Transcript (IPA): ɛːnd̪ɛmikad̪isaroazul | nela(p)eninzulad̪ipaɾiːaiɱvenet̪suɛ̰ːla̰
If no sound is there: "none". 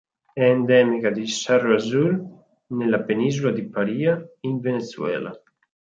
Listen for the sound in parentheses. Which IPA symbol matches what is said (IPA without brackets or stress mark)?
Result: p